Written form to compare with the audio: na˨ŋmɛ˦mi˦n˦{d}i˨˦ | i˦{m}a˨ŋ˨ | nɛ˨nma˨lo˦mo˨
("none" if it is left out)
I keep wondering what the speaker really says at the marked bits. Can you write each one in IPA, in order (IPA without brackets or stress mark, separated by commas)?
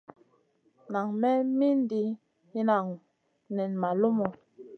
d, n